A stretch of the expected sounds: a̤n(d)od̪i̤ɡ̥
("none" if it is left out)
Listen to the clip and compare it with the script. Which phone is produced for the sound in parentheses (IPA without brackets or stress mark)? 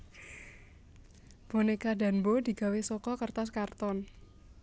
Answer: b